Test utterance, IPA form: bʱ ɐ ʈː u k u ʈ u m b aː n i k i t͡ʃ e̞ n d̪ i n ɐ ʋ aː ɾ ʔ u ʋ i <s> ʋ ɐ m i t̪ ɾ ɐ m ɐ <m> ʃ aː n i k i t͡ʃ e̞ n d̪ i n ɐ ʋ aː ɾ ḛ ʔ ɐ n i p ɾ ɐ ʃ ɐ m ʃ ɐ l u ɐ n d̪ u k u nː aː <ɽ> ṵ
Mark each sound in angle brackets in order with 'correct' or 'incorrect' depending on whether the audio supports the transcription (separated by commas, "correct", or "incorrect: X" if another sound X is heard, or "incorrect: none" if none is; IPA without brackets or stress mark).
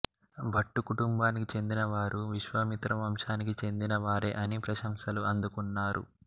incorrect: ʃ, correct, incorrect: ɾ